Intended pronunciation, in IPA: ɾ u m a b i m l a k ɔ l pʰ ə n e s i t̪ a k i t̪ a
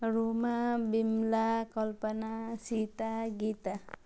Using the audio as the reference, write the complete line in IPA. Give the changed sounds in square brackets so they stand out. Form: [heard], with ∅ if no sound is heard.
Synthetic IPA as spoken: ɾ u m a b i m l a k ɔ l [p] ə n [a] s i t̪ a [ɡ] i t̪ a